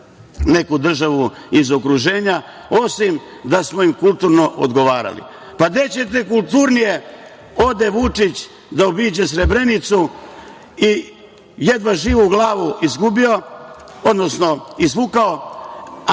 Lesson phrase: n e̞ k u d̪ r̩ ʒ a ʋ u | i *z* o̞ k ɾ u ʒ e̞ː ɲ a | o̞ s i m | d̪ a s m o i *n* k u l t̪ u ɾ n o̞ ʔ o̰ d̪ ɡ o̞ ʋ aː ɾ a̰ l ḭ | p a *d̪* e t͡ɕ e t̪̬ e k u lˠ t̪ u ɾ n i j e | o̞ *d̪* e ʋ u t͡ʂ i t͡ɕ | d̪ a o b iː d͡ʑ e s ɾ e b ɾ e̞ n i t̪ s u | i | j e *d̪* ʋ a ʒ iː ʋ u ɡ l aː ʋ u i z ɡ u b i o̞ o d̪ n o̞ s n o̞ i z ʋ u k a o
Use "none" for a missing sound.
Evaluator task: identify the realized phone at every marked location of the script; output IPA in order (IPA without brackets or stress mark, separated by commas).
z, m, d̪, d̪, d̪